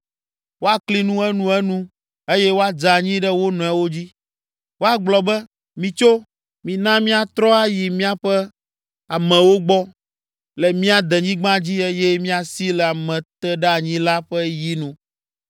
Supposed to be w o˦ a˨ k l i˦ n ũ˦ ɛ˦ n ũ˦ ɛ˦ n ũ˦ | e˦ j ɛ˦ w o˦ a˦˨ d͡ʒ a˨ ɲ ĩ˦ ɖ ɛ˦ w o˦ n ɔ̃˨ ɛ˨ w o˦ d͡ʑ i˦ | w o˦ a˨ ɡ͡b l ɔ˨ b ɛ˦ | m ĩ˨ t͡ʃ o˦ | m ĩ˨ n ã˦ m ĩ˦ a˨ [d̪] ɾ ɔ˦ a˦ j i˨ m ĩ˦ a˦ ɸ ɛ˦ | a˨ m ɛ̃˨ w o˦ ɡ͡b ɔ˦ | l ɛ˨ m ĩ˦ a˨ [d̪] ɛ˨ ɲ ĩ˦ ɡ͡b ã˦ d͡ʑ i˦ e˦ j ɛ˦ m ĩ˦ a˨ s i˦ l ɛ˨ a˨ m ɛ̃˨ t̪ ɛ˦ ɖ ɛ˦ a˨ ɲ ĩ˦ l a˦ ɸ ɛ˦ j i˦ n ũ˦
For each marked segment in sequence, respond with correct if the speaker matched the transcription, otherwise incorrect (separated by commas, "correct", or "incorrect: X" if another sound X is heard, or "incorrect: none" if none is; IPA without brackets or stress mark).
incorrect: t̪, correct